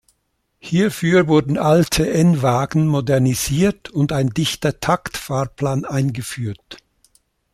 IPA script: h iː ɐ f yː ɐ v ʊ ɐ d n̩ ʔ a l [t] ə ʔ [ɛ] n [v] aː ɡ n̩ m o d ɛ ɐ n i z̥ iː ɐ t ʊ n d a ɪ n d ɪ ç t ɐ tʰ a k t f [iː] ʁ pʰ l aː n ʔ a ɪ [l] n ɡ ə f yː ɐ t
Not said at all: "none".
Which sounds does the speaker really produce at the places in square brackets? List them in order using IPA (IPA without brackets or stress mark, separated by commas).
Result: tʰ, ɛ, v, aː, none